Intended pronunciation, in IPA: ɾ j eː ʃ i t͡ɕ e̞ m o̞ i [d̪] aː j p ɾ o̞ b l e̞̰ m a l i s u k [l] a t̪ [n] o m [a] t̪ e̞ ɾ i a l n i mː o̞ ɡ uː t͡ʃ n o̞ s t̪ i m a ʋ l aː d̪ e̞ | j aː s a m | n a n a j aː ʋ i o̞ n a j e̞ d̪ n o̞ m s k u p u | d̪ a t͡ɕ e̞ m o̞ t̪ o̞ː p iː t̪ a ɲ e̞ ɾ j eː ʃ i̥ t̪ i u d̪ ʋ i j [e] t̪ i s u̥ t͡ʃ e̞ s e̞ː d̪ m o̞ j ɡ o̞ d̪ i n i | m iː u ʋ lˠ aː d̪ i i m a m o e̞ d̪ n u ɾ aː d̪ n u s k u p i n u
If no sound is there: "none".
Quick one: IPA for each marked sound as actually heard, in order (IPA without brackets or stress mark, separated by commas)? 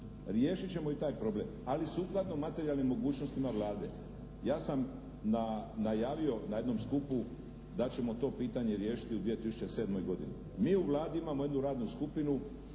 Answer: t̪, l, n, a, e